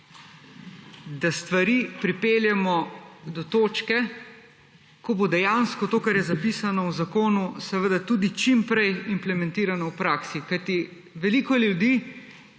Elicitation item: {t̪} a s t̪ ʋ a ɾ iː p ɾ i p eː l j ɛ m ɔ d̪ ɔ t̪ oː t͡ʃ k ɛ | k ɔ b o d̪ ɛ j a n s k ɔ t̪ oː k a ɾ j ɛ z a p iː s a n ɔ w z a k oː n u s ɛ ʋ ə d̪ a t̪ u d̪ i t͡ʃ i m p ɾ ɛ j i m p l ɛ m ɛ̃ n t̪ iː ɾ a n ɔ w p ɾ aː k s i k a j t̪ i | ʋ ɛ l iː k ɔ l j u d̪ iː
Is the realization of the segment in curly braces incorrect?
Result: yes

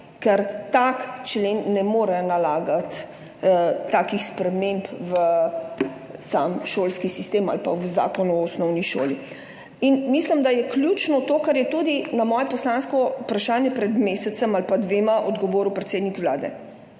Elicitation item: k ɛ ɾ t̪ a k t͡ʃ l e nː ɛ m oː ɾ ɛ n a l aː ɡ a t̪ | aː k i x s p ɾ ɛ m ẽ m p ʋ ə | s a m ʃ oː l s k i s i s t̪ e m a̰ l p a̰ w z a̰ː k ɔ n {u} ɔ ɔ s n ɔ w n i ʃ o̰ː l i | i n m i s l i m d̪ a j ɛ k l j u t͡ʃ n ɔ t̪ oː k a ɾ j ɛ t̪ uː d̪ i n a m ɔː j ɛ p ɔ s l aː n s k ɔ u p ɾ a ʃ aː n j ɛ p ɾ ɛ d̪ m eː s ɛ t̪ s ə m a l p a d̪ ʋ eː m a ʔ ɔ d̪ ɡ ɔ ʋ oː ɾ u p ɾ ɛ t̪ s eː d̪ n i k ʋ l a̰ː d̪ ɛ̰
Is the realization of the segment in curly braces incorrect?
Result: no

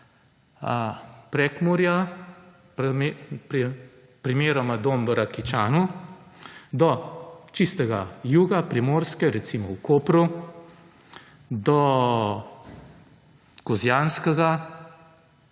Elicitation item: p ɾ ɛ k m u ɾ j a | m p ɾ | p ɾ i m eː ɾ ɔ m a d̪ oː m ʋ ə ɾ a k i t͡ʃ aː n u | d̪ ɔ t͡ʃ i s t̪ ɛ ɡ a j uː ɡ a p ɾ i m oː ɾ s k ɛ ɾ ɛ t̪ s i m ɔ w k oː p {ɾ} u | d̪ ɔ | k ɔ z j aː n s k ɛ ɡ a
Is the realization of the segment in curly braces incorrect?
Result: no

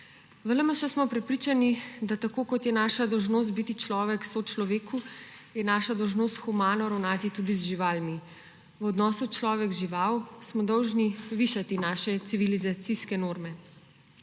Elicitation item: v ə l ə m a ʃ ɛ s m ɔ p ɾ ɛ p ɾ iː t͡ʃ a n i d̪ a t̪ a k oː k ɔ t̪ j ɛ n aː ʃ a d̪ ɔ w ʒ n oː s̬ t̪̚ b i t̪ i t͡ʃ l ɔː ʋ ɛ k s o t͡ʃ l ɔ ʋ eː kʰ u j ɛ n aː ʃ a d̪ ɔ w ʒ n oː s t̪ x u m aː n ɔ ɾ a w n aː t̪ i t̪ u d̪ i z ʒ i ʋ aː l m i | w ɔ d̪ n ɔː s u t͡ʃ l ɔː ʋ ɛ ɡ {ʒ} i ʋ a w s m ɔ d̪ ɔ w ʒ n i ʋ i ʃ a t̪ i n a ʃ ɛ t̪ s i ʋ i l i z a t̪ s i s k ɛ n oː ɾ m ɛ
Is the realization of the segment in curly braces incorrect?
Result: no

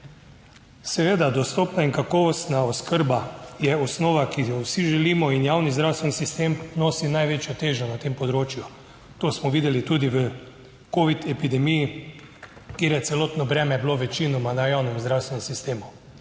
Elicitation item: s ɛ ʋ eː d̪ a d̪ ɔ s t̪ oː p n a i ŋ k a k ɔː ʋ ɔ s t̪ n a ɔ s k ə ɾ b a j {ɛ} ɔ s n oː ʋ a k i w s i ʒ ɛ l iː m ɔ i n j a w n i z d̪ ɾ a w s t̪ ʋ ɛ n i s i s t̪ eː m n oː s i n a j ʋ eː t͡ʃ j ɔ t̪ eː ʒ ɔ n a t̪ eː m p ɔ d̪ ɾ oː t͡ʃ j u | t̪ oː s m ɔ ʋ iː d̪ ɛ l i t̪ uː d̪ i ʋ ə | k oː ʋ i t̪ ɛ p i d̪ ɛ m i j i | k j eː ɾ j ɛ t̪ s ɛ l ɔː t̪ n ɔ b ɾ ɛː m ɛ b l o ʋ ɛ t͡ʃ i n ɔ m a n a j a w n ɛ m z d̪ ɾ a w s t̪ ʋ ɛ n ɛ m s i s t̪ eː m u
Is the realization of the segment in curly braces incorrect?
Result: no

